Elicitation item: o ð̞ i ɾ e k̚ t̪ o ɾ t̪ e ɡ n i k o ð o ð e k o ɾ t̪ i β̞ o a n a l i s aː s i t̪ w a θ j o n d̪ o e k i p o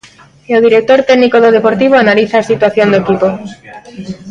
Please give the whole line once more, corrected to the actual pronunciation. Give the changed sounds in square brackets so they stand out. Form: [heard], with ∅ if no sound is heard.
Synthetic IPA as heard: o ð̞ i ɾ e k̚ t̪ o ɾ t̪ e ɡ n i k o ð o ð e [p] o ɾ t̪ i β̞ o a n a l i [θ] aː s i t̪ w a θ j o n d̪ o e k i p o